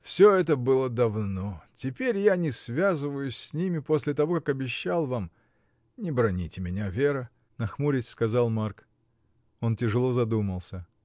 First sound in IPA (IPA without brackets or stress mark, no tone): f